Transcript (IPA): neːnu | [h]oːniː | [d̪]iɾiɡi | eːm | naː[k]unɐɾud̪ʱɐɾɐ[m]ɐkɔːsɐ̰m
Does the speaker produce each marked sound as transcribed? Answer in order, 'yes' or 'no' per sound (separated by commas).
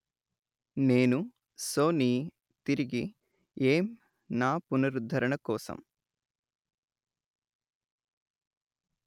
no, no, no, no